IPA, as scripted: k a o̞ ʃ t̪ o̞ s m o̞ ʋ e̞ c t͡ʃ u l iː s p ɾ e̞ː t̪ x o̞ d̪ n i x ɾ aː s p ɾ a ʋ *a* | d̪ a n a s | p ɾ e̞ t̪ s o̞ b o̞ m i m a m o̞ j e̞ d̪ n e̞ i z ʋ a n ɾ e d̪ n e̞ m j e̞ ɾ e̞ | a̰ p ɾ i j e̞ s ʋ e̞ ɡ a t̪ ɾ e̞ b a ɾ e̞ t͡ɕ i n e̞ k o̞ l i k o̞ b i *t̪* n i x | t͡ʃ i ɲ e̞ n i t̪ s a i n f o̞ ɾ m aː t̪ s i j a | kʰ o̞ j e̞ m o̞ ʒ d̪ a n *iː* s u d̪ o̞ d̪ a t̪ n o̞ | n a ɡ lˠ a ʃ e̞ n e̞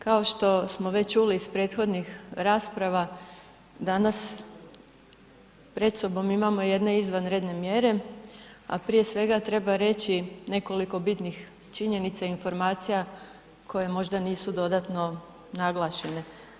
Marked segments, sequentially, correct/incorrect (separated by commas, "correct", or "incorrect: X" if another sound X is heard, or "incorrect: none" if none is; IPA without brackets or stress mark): correct, correct, correct